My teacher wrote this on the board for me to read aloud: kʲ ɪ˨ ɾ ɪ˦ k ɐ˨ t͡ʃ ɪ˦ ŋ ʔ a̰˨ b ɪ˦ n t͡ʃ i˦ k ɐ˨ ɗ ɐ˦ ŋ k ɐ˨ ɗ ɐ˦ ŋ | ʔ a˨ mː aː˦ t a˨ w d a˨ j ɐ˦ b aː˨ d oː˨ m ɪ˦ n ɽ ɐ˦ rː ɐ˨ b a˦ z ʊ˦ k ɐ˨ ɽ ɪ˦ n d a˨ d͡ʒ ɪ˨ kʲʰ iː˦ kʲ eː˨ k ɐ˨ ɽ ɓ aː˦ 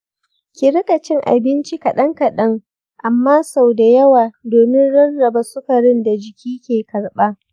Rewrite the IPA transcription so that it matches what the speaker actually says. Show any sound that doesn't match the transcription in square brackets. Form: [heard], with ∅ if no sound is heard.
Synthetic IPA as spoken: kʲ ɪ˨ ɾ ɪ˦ k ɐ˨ t͡ʃ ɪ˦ ŋ ʔ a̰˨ b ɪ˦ n t͡ʃ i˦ k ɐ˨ ɗ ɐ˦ ŋ k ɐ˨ ɗ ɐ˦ ŋ | ʔ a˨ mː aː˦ [s] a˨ w d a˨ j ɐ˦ [w] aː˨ d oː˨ m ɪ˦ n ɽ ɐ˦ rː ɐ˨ b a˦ [s] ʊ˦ k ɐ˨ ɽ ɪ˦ n d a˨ d͡ʒ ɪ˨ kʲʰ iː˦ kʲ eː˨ k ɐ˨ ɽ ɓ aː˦